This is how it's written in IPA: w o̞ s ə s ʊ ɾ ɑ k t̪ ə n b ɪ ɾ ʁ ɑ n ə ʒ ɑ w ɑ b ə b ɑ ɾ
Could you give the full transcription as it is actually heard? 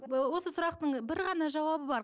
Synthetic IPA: w o̞ s ə s ʊ ɾ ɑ q t̪ ə ɴ b ɪ ɾ ʁ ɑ n ɑ ʒ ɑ w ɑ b ə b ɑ ɾ